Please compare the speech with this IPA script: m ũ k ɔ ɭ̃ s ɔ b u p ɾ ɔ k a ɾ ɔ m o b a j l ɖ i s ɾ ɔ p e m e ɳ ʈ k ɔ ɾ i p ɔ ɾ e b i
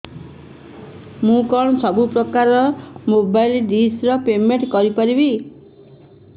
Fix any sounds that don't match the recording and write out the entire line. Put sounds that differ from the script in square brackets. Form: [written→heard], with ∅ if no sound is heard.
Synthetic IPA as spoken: m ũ k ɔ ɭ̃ s ɔ b u p ɾ ɔ k a ɾ ɔ m o b a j l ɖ i s ɾ ɔ p e m e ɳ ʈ k ɔ ɾ i p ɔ ɾ [e→i] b i